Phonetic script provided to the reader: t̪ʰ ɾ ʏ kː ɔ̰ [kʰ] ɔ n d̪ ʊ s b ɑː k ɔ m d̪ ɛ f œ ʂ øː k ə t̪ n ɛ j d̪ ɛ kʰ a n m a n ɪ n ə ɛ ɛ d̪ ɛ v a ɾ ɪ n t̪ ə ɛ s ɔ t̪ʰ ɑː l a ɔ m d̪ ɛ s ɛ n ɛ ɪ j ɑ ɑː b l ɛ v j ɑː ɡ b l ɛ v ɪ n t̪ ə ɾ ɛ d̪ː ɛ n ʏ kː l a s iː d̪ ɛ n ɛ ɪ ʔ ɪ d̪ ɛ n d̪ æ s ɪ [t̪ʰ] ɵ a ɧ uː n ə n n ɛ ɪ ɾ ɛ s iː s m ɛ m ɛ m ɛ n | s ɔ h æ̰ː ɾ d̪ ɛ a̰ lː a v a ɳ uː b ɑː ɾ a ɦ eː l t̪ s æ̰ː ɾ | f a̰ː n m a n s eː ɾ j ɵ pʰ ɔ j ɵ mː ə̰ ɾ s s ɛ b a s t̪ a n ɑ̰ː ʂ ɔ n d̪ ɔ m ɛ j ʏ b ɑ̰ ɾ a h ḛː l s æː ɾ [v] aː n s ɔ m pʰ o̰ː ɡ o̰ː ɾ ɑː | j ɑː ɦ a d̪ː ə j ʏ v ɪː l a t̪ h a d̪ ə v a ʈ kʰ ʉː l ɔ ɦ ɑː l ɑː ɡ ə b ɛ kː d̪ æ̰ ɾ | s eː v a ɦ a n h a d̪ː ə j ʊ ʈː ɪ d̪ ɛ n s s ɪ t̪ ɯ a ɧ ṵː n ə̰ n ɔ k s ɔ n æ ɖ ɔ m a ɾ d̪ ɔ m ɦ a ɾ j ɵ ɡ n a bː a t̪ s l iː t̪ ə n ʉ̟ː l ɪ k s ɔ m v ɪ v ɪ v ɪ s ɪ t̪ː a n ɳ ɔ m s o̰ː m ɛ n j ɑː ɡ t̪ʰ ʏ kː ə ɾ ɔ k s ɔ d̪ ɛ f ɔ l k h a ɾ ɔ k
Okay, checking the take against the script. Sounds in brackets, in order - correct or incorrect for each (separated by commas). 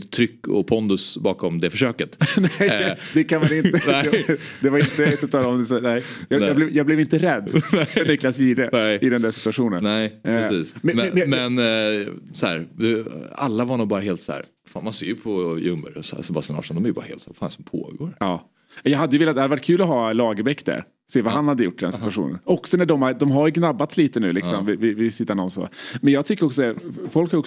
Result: incorrect, incorrect, incorrect